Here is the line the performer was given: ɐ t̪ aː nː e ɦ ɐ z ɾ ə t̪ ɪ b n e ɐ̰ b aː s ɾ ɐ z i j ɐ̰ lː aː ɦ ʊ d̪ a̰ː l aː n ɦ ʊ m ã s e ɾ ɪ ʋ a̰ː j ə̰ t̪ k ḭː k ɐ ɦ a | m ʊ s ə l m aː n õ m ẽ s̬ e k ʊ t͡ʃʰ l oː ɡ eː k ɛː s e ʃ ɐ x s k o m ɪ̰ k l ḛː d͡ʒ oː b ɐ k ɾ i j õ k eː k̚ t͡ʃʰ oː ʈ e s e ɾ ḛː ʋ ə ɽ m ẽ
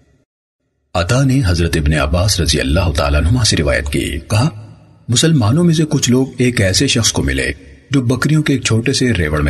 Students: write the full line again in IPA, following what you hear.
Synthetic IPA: ɐ t̪ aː n e ɦ ɐ z ɾ ə t̪ ɪ b n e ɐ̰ b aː s ɾ ɐ z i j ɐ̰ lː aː ɦ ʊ t̪ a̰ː l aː n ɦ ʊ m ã s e ɾ ɪ ʋ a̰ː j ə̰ t̪ k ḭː k ɐ ɦ a | m ʊ s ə l m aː n õ m ẽ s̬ e k ʊ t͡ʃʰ l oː ɡ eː k ɛː s e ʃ ɐ x s k o m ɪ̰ l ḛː d͡ʒ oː b ɐ k ɾ i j õ k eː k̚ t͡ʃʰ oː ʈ e s e ɾ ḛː ʋ ə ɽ m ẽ